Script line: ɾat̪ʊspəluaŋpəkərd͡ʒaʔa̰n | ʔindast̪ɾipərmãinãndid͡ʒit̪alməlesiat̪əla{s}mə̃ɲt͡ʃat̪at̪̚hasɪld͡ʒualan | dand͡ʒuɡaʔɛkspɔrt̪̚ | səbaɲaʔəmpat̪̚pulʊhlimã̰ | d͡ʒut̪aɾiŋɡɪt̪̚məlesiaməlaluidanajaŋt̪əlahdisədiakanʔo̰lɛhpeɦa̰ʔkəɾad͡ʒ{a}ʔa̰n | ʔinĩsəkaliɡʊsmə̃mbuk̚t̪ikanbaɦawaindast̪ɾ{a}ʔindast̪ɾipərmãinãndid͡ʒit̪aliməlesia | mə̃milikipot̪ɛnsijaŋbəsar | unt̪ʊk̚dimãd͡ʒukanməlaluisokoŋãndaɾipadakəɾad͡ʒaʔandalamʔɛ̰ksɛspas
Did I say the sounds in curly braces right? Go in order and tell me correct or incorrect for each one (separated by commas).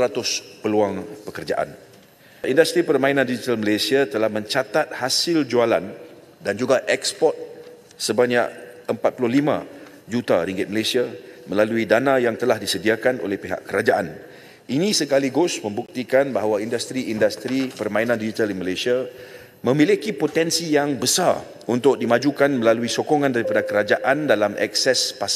incorrect, correct, incorrect